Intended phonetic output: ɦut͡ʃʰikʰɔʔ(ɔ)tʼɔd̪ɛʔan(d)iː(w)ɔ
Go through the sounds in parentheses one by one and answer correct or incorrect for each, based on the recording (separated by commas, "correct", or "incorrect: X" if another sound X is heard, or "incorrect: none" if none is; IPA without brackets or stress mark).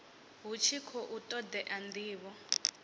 incorrect: u, correct, incorrect: β